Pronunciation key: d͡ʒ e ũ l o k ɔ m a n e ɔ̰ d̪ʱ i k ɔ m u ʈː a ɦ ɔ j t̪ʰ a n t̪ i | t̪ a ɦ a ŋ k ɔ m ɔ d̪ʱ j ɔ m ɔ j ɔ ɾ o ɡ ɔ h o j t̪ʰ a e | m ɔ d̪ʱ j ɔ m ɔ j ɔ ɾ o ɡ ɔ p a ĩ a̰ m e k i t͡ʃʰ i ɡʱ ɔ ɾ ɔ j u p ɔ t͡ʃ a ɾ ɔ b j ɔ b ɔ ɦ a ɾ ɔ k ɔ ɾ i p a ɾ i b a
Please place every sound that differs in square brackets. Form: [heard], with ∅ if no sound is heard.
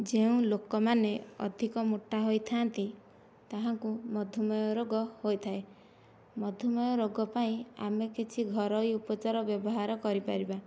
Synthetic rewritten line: d͡ʒ e ũ l o k ɔ m a n e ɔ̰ d̪ʱ i k ɔ m u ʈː a ɦ [o] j t̪ʰ a n t̪ i | t̪ a ɦ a ŋ k [u] m ɔ d̪ʱ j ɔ m ɔ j ɔ ɾ o ɡ ɔ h o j t̪ʰ a e | m ɔ d̪ʱ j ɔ m ɔ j ɔ ɾ o ɡ ɔ p a ĩ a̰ m e k i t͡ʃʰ i ɡʱ ɔ ɾ ɔ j u p ɔ t͡ʃ a ɾ ɔ b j ɔ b ɔ ɦ a ɾ ɔ k ɔ ɾ i p a ɾ i b a